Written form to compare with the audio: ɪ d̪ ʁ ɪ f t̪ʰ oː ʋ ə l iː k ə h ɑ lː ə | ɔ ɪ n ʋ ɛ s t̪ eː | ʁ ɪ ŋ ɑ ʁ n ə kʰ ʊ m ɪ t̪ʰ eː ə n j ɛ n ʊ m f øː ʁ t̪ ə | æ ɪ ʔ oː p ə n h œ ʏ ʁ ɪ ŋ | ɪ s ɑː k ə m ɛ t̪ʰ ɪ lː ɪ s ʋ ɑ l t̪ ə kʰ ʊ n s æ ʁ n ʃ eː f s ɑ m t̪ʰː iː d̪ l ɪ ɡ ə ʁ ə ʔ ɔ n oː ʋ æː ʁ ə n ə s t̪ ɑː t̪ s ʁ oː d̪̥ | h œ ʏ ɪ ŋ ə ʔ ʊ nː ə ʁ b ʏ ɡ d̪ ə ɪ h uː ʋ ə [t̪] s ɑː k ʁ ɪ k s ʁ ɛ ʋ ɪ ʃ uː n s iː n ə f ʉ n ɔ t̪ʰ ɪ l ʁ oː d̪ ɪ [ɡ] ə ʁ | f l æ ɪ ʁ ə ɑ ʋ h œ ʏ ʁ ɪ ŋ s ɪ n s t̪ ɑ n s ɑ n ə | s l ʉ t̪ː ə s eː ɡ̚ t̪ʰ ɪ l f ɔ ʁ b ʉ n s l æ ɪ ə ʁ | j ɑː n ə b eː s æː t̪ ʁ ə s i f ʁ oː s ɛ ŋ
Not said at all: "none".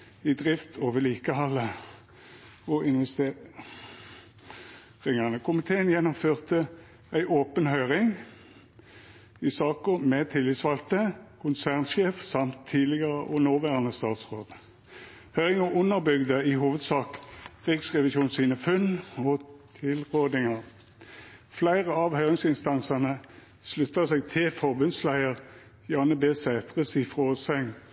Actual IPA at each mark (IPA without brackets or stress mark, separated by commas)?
d̪, ŋ